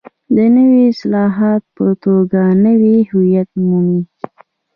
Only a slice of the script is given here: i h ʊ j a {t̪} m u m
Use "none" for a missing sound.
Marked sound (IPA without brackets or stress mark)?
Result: t̪